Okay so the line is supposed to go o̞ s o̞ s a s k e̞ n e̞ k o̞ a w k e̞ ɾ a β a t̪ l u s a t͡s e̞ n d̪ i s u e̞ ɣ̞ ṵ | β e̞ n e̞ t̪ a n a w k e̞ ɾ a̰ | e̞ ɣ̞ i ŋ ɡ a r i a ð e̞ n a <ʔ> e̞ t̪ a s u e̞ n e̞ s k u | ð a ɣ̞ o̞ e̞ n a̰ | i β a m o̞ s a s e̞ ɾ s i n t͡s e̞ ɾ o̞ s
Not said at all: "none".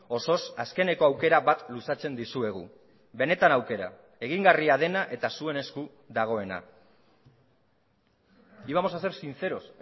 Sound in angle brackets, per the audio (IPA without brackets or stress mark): ʔ